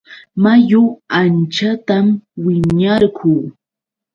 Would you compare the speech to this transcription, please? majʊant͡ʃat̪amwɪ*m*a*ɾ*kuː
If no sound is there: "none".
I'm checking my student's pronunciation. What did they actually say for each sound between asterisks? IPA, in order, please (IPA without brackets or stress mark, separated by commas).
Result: ɲ, ɾ